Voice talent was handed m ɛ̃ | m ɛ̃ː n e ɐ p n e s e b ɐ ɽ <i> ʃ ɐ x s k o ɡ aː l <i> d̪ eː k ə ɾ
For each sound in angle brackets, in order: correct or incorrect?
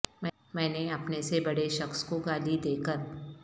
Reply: incorrect: e, correct

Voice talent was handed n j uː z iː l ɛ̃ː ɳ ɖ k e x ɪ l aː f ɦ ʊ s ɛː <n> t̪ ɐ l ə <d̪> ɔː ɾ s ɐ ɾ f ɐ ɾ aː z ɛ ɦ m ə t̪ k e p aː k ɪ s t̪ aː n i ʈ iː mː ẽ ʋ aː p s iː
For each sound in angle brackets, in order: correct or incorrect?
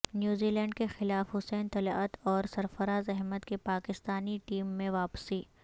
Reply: correct, incorrect: t̪

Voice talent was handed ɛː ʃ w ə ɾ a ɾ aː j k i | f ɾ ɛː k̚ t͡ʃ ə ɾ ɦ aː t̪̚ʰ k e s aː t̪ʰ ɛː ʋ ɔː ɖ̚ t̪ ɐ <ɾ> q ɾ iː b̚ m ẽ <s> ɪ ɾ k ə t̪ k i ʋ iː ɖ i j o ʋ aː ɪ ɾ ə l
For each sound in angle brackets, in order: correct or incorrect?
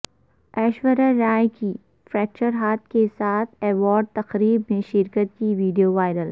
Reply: incorrect: none, incorrect: ʃ

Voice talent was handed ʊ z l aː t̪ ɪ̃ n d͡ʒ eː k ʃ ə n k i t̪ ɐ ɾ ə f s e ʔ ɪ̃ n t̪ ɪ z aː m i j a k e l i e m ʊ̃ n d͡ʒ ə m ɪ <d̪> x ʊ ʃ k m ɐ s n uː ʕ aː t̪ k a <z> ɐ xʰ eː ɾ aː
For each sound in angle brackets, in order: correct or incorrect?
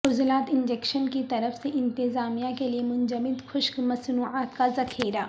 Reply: correct, correct

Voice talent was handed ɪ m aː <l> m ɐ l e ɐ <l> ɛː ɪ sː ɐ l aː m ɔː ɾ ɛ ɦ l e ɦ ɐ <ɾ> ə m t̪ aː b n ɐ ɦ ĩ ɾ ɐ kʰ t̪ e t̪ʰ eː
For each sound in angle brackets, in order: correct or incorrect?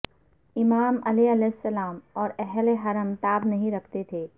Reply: incorrect: none, correct, correct

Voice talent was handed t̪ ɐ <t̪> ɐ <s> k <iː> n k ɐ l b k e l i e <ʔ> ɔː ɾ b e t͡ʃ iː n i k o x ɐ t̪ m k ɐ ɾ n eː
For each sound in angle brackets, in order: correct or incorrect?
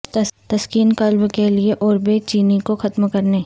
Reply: correct, correct, correct, correct

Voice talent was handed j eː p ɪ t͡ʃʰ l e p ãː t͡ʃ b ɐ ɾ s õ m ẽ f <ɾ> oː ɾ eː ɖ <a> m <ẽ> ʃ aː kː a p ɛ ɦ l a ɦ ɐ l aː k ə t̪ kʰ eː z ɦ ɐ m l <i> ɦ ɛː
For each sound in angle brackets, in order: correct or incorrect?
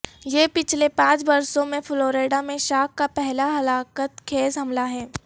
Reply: incorrect: l, correct, correct, incorrect: a

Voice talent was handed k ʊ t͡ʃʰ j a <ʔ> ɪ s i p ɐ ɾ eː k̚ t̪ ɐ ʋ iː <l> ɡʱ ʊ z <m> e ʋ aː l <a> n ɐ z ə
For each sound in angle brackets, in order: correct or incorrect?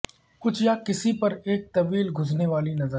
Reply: incorrect: k, correct, incorrect: n, incorrect: i

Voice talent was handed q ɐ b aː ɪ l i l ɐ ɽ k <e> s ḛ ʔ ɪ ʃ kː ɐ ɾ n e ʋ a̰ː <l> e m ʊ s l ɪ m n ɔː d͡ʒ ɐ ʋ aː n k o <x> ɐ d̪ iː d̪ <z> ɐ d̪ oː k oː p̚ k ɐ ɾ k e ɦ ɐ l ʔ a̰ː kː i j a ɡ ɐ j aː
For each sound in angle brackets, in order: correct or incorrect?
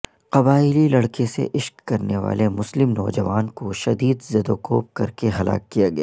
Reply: correct, correct, incorrect: ʃ, correct

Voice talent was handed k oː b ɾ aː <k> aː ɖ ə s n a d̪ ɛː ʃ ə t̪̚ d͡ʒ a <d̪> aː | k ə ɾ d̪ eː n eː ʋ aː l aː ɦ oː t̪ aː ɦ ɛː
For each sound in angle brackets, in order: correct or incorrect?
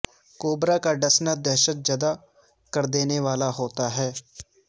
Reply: correct, correct

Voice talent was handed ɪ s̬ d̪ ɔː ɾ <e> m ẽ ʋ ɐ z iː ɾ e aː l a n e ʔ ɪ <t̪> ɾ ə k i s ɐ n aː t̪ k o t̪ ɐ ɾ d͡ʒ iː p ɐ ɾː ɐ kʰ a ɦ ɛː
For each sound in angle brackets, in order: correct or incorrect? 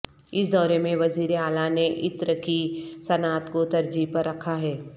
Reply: correct, correct

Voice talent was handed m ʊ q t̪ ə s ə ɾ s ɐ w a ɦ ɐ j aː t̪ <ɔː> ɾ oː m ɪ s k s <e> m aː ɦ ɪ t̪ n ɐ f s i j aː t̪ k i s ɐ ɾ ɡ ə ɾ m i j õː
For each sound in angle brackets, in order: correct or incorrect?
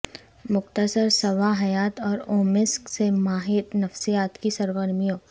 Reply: correct, correct

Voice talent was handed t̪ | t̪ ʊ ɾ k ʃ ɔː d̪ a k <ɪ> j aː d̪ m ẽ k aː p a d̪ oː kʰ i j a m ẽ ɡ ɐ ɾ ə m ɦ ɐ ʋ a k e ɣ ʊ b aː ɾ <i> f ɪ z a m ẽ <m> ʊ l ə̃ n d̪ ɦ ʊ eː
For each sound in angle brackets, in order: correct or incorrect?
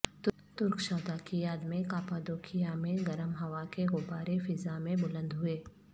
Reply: incorrect: i, incorrect: e, incorrect: b

